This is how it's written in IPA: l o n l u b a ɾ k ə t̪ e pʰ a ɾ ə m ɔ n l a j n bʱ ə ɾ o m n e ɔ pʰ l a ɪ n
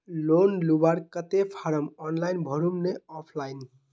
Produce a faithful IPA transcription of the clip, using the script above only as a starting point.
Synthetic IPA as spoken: l o n l u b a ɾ k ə t̪ e pʰ a ɾ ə m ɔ n l a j n bʱ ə ɾ u m n e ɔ pʰ l a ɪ n